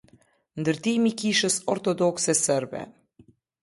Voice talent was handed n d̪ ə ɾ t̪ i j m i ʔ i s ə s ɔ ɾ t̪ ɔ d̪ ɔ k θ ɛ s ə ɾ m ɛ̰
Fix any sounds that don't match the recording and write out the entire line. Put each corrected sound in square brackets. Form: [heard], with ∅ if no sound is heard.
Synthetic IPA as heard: n d̪ ə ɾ t̪ i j m i [k] i [ʃ] ə s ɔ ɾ t̪ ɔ d̪ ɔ k [s] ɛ s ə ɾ [b] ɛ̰